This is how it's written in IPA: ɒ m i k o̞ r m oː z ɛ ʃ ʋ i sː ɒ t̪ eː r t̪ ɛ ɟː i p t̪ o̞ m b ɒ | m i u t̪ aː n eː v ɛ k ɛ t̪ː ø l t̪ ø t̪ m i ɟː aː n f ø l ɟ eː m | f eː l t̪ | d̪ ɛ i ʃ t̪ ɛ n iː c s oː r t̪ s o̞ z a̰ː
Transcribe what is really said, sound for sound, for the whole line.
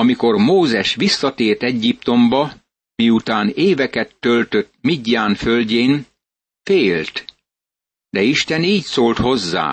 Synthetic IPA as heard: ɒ m i k o̞ r m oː z ɛ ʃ ʋ i sː ɒ t̪ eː r t̪ ɛ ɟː i p t̪ o̞ m b ɒ | m i u t̪ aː n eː v ɛ k ɛ t̪ː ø l t̪ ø t̪ m i ɟː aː n f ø l ɟ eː n | f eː l t̪ | d̪ ɛ i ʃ t̪ ɛ n iː c s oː l t̪ h o̞ zː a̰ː